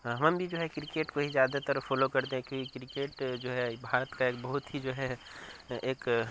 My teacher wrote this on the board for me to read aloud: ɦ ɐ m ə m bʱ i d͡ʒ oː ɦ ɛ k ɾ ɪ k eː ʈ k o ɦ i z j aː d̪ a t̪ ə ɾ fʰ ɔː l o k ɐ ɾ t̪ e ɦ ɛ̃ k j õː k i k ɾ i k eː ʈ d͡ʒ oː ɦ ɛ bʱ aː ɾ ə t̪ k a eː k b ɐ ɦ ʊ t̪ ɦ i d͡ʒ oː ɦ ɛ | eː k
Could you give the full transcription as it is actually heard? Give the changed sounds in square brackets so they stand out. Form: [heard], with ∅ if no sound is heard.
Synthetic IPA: ɦ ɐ m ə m bʱ i d͡ʒ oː ɦ ɛ k ɾ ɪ k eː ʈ k o ɦ i z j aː d̪ a t̪ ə ɾ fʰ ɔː l o k ɐ ɾ t̪ e ɦ ɛ̃ k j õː k i k ɾ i k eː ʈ d͡ʒ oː ɦ ɛ bʱ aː ɾ ə t̪ k a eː k b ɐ ɦ ʊ t̪ ɦ i d͡ʒ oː ɦ ɛ | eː k